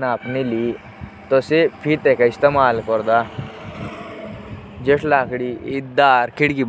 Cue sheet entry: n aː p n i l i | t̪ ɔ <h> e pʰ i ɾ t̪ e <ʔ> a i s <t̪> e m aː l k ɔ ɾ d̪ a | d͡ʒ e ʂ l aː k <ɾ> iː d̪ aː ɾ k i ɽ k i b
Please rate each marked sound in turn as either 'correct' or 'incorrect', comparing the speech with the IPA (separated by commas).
incorrect, incorrect, correct, incorrect